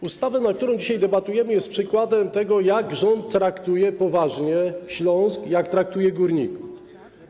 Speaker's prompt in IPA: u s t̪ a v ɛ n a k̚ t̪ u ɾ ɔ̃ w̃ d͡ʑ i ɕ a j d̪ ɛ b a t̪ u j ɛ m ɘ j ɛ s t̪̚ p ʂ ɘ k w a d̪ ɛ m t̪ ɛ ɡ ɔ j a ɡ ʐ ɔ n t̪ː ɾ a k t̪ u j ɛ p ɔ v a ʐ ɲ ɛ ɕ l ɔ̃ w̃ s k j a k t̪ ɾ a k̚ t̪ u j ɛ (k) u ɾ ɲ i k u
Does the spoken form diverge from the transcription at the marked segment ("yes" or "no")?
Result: yes